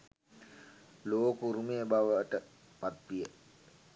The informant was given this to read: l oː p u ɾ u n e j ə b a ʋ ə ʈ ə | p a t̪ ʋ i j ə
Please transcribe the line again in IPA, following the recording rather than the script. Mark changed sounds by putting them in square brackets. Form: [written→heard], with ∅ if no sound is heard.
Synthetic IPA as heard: l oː [p→k] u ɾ u [n→m] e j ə b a ʋ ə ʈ ə | p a t̪ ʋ i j ə